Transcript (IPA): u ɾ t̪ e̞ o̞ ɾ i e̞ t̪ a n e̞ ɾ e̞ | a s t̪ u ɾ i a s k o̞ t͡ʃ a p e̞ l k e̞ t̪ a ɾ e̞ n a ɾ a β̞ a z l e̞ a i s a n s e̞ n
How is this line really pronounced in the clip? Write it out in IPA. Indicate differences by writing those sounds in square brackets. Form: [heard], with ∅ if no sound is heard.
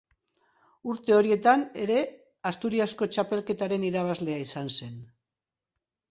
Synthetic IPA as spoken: u ɾ t̪ e̞ o̞ ɾ i e̞ t̪ a n e̞ ɾ e̞ | a s t̪ u ɾ i a s k o̞ t͡ʃ a p e̞ l k e̞ t̪ a ɾ e̞ n [i] ɾ a β̞ a z l e̞ a i s a n s e̞ n